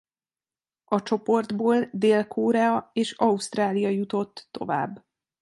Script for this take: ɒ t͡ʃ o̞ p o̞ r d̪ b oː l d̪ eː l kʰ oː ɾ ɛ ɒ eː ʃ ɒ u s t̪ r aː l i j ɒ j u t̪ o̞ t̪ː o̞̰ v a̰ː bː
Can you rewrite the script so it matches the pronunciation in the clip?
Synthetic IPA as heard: ɒ t͡ʃ o̞ p o̞ r d̪ b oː l d̪ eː l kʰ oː ɾ ɛ ɒ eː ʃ ɒ u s t̪ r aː l i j ɒ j u t̪ o̞ t̪ː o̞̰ v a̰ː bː